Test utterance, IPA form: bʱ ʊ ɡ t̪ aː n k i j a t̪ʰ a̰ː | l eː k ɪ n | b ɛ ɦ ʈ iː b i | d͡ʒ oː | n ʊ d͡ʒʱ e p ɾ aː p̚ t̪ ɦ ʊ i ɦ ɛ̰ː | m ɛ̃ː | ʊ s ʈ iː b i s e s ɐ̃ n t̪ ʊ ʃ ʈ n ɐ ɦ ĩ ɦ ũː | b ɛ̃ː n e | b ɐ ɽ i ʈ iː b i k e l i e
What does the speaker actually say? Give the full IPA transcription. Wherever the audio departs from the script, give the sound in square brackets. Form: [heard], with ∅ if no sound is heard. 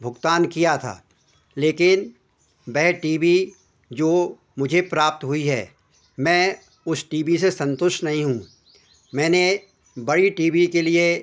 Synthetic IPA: bʱ ʊ ɡ t̪ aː n k i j a t̪ʰ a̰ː | l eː k ɪ n | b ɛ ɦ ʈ iː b i | d͡ʒ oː | [m] ʊ d͡ʒʱ e p ɾ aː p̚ t̪ ɦ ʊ i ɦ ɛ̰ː | m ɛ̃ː | ʊ s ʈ iː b i s e s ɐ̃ n t̪ ʊ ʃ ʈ n ɐ ɦ ĩ ɦ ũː | [m] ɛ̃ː n e | b ɐ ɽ i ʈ iː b i k e l i e